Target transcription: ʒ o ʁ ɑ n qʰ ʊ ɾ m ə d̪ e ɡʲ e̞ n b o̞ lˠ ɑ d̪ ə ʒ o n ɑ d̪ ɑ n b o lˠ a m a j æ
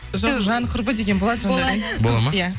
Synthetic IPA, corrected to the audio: ʒ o ʒ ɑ n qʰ ʊ ɾ b ə d̪ e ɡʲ e̞ n b o̞ lˠ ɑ d̪ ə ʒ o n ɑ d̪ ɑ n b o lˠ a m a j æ